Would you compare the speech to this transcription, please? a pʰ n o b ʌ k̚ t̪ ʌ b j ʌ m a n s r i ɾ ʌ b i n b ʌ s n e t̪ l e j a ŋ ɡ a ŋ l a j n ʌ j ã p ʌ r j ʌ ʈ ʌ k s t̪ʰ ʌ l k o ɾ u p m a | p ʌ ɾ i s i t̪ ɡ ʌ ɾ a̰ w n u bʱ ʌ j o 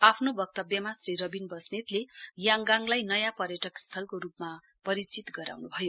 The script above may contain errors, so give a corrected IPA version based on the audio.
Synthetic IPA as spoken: a pʰ n o b ʌ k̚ t̪ ʌ b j ʌ m a s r i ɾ ʌ b i n b ʌ s n e t̪ l e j a ŋ ɡ a ŋ l a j n ʌ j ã p ʌ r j ʌ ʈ ʌ k s t̪ʰ ʌ l k o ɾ u p m a | p ʌ ɾ i t͡s i t̪ ɡ ʌ ɾ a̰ w n u bʱ ʌ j o